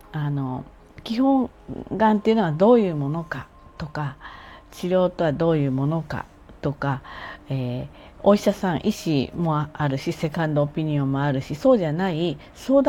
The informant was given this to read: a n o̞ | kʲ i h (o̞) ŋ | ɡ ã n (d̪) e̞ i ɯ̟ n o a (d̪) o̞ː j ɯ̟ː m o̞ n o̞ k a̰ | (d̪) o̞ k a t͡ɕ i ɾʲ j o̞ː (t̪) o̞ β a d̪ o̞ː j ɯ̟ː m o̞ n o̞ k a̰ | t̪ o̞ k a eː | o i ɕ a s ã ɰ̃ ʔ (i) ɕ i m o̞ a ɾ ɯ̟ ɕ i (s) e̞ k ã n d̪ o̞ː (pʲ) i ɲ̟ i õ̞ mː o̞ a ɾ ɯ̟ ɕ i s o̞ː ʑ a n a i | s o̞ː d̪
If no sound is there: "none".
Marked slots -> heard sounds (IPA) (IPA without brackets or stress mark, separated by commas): õ̞, t̪, d̪, t̪, t̪, i, s, pʲ